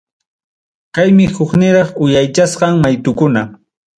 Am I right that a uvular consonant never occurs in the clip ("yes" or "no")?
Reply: no